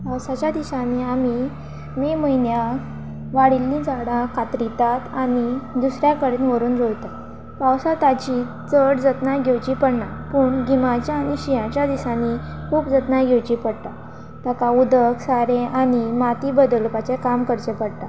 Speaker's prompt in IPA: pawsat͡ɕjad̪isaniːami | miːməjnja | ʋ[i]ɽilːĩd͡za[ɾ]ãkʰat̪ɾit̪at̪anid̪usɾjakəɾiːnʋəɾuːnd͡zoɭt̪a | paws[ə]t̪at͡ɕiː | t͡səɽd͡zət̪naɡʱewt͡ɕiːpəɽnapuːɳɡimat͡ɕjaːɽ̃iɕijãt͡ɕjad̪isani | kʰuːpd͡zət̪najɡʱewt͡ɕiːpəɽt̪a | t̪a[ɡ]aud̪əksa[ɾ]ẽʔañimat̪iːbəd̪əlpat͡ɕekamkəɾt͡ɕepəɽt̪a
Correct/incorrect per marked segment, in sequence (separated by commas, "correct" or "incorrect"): incorrect, incorrect, incorrect, incorrect, correct